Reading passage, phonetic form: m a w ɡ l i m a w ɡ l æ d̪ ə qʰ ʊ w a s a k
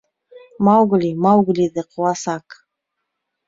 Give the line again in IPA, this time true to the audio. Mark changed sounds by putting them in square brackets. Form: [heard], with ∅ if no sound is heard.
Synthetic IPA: m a w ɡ l i m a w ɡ l [i] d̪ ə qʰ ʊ w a s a k